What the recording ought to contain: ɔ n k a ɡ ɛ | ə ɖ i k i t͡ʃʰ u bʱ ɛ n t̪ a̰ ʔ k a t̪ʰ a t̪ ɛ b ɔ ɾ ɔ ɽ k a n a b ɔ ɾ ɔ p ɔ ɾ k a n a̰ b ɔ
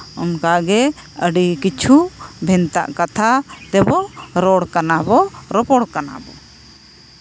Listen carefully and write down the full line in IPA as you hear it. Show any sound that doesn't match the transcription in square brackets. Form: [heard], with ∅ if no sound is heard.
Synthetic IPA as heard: ɔ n k a ɡ ɛ | ə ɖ i k i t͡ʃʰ u bʱ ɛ n t̪ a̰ ʔ k a t̪ʰ a t̪ ɛ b ɔ ɾ ɔ ɽ k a n a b ɔ ɾ ɔ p ɔ [ɽ] k a n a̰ b ɔ